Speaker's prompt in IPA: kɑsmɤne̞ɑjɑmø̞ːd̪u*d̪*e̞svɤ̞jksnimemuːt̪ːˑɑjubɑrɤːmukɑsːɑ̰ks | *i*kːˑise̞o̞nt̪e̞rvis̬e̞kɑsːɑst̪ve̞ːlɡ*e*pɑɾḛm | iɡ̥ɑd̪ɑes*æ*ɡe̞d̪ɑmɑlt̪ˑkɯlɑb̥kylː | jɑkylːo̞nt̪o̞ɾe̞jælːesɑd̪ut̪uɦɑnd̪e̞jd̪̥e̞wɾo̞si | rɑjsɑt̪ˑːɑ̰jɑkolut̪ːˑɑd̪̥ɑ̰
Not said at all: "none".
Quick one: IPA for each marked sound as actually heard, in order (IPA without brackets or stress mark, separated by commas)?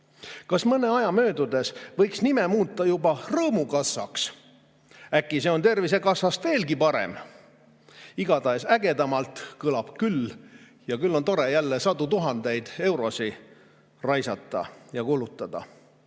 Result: d̪, æ, i, æ